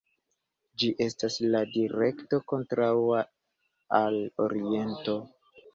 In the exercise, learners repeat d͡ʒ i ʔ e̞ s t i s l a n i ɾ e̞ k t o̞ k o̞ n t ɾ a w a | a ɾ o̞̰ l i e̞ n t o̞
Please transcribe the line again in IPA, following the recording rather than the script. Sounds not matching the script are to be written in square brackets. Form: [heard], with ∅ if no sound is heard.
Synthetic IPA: d͡ʒ i ʔ e̞ s t [a] s l a [d] i ɾ e̞ k t o̞ k o̞ n t ɾ a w a | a [l] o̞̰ [ɾ] i e̞ n t o̞